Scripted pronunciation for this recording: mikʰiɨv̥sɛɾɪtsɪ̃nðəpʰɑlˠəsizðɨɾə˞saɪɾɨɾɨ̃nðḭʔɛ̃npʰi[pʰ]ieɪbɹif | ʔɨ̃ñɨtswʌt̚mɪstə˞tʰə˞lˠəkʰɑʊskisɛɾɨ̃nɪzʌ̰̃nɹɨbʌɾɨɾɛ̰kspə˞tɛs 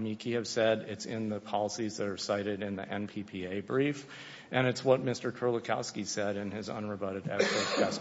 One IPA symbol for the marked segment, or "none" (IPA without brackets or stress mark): pʰ